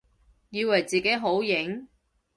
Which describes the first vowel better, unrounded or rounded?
unrounded